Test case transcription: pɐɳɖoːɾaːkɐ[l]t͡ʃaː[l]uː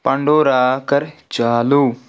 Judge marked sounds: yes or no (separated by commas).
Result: no, yes